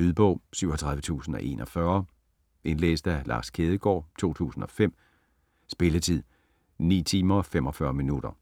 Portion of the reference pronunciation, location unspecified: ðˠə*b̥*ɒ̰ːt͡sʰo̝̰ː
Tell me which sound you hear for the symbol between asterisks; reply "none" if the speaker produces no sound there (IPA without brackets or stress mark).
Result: ɡ̥